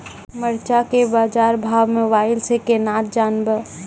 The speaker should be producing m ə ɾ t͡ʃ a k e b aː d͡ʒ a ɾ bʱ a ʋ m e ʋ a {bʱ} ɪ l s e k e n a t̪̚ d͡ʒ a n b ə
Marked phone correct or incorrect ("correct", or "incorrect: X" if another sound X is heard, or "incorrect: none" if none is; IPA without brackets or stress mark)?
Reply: incorrect: none